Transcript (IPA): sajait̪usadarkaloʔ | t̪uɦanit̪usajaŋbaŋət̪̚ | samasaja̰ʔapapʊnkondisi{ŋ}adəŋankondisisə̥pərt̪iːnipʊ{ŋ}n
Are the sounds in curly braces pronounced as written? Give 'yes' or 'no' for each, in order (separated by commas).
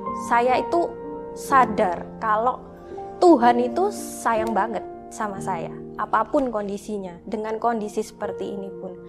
no, no